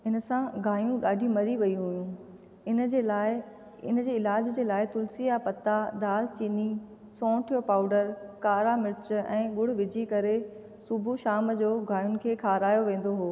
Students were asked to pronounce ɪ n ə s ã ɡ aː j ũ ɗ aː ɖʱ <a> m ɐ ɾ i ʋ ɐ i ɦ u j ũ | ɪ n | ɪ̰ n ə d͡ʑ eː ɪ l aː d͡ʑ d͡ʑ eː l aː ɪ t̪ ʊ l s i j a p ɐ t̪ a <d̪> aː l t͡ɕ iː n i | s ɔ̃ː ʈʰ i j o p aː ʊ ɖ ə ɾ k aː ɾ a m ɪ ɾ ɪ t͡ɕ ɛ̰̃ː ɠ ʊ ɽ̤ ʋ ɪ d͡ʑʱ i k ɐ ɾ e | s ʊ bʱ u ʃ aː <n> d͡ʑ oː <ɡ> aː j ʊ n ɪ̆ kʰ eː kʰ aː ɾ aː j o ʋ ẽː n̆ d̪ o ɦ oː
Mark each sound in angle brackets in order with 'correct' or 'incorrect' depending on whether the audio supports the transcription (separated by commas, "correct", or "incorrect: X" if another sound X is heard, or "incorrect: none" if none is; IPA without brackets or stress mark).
incorrect: i, correct, incorrect: m, correct